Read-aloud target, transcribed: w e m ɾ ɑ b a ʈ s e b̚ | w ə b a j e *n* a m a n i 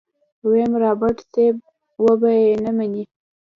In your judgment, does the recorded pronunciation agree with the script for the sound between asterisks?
yes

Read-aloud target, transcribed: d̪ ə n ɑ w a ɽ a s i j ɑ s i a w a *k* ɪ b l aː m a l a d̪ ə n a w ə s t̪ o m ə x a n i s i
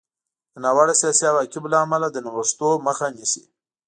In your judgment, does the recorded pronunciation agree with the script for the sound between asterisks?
yes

